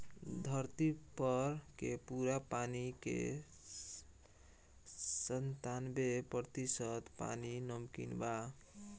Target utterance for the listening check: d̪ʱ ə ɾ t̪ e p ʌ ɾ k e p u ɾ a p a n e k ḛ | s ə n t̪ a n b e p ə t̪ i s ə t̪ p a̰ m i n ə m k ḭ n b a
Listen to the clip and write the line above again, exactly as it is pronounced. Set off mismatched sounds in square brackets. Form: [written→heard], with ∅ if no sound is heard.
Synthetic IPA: d̪ʱ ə ɾ t̪ [e→i] p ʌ ɾ k e p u ɾ a p a n [e→i] k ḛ | s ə n t̪ a n b e p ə t̪ i s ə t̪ p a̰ [m→n] i n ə m k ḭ n b a